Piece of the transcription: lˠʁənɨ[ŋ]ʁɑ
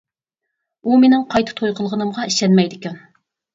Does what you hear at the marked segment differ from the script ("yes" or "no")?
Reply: yes